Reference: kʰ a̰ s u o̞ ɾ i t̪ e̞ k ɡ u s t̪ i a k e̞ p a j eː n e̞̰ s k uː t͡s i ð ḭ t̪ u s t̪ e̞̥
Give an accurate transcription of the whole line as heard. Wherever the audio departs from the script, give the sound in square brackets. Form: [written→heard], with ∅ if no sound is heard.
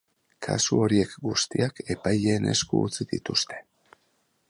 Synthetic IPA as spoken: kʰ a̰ s u o̞ ɾ i [t̪→∅] e̞ k ɡ u s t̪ i a k e̞ p a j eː n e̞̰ s k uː t͡s i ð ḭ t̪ u s t̪ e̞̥